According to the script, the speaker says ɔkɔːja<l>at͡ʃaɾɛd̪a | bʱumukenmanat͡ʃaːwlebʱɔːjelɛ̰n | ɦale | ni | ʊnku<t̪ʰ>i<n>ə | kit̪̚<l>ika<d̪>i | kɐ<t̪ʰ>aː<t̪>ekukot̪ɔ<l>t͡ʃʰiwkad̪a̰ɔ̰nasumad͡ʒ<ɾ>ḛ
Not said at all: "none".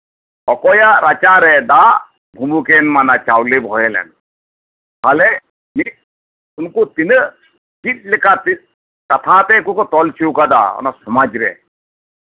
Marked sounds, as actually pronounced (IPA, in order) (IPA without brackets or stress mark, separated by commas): ɾ, t̪, n, l, t̪, t̪ʰ, t̪, l, ɾ